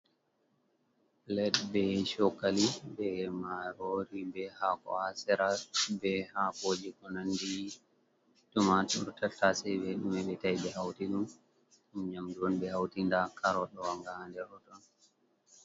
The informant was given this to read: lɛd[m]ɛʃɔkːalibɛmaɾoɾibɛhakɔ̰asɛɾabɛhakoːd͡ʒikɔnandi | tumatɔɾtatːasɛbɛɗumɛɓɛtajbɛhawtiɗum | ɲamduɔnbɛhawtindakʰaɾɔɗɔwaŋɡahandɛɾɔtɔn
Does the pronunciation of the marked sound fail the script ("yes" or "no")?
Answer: yes